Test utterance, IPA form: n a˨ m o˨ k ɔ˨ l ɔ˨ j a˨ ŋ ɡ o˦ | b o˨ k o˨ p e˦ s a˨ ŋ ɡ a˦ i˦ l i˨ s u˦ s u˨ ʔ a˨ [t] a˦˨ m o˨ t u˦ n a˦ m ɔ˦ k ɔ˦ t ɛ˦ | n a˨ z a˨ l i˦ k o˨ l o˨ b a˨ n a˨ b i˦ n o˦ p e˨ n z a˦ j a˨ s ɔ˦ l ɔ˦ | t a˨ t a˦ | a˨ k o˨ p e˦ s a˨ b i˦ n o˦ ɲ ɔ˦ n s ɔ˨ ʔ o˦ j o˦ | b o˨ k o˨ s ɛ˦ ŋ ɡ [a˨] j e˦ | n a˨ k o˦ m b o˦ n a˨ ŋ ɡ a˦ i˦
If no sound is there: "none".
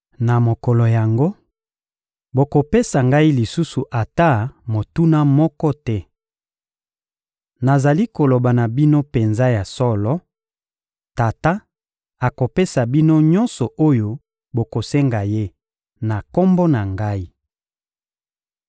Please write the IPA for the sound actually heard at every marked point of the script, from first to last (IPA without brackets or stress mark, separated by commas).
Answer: t, a˨